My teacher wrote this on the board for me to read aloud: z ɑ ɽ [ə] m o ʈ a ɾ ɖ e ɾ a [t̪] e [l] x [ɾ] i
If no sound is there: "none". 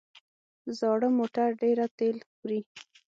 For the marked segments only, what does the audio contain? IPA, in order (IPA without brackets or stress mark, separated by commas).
ə, t̪, l, ɾ